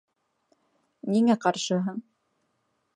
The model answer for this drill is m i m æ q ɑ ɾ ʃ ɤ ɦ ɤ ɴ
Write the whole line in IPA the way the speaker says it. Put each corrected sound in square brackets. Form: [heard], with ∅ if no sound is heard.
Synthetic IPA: [n] i [ŋ] æ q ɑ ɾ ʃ ɤ ɦ ɤ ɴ